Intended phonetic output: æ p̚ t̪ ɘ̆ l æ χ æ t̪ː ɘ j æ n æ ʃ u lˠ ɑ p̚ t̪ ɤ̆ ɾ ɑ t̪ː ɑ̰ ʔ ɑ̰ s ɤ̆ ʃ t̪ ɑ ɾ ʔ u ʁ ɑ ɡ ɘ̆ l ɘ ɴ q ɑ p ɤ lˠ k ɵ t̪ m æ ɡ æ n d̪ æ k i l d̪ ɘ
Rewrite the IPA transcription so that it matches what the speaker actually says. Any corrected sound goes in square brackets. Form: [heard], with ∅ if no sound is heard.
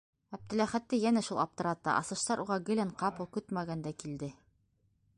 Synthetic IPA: æ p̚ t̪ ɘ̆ l æ χ æ t̪ː ɘ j æ n æ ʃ u lˠ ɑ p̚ t̪ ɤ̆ ɾ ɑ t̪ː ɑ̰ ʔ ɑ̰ s ɤ̆ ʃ t̪ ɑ ɾ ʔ u ʁ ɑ ɡ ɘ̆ l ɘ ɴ q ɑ p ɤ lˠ k ɵ t̪ m æ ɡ æ n d̪ æ k i l d̪ ɘ